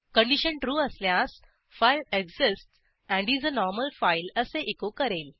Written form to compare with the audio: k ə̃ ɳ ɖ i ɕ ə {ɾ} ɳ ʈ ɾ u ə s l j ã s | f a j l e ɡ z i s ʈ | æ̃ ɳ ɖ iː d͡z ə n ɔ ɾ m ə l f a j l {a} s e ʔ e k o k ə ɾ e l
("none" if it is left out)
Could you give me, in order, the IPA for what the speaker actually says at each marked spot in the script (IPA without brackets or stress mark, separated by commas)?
none, ə